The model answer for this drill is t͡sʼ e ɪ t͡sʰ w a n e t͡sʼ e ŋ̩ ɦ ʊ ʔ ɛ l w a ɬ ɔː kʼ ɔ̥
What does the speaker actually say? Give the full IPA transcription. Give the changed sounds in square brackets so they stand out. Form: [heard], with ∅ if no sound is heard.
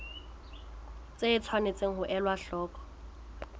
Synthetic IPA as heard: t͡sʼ e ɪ t͡sʰ w a n e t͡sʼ e ŋ̩ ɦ ʊ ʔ ɛ l w a ɬ ɔː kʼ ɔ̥